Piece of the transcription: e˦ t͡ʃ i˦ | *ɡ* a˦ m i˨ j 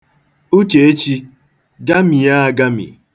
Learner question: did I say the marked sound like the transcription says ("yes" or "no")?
yes